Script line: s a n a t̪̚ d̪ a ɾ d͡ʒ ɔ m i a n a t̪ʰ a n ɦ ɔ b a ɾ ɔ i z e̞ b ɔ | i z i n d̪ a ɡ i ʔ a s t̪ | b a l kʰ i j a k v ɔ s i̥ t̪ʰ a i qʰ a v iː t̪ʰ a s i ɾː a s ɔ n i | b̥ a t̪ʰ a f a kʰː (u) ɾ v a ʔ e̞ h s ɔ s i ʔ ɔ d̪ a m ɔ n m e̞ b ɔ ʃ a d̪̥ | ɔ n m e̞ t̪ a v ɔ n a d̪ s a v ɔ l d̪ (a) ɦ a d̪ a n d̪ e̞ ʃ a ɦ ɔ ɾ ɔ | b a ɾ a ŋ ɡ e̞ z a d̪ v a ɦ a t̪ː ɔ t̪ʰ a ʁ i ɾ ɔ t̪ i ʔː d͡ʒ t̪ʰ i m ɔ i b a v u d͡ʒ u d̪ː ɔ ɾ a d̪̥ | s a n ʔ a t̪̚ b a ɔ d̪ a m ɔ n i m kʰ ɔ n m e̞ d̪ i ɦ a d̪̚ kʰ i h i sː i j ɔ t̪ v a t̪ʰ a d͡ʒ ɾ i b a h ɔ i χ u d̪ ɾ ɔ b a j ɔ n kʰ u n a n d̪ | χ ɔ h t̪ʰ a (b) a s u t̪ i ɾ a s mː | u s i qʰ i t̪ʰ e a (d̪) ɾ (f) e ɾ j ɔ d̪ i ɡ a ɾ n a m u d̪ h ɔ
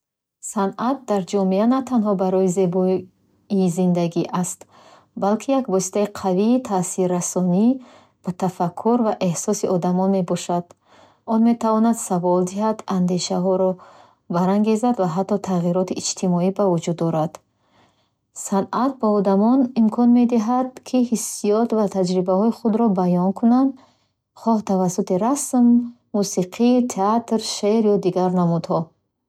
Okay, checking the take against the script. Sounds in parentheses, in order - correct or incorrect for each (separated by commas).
correct, incorrect, incorrect, incorrect, incorrect